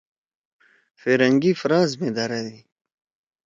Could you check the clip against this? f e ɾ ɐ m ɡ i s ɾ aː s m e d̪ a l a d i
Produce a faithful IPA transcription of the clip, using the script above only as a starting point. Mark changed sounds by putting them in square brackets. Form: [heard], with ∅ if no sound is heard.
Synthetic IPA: f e ɾ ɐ [ŋ] ɡ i [f] ɾ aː [z] m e d̪ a [ɾ] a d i